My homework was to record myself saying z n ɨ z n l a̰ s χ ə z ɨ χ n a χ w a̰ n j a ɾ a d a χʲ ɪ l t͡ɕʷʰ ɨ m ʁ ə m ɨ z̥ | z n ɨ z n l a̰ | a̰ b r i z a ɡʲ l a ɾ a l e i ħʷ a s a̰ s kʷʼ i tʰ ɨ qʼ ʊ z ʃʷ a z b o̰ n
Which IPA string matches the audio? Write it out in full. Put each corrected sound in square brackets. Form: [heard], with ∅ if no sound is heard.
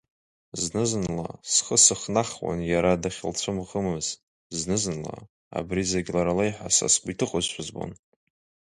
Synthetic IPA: z n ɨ z n l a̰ s χ ə [s] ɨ χ n a χ w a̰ n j a ɾ a d a χʲ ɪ l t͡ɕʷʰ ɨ m ʁ ə m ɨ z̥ | z n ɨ z n l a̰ | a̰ b r i z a ɡʲ l a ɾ a l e [j] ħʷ a s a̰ s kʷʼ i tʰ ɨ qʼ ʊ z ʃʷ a z b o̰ n